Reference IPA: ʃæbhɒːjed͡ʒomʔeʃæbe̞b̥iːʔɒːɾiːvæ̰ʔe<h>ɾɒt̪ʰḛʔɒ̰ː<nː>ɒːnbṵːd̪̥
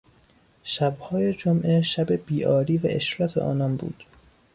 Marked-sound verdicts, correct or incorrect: incorrect, incorrect

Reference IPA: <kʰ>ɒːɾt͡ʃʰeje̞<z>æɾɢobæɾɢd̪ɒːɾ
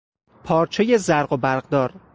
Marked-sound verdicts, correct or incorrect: incorrect, correct

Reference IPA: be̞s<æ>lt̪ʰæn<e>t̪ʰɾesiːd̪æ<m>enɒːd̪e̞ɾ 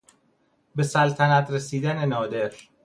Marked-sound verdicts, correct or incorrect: correct, incorrect, incorrect

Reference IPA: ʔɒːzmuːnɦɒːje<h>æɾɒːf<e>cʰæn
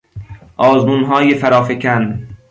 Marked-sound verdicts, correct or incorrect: incorrect, correct

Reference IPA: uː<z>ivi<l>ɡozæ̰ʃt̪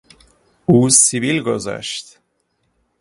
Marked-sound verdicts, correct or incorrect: incorrect, correct

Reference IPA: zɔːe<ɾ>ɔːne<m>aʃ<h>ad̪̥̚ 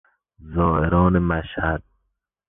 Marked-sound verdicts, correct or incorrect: correct, correct, correct

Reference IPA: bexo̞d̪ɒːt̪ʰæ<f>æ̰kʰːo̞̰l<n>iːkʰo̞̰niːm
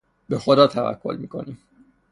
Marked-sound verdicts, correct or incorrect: incorrect, incorrect

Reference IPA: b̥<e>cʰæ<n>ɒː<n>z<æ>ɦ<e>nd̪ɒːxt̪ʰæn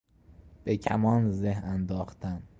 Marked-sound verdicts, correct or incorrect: correct, incorrect, correct, incorrect, incorrect

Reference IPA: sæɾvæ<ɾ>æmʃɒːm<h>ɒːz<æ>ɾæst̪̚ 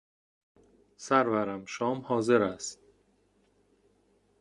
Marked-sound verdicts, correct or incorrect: correct, correct, incorrect

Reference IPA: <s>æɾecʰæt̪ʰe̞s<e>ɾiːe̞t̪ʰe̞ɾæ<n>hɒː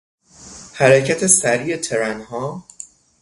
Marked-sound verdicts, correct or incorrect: incorrect, incorrect, correct

